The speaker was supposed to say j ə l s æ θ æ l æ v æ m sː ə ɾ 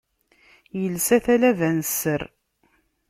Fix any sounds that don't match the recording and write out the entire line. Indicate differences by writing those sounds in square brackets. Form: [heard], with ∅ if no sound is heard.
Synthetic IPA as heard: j ə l s æ θ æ l æ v æ [n] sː ə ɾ